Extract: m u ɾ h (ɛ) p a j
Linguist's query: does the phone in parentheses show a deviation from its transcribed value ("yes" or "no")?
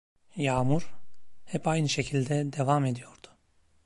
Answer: no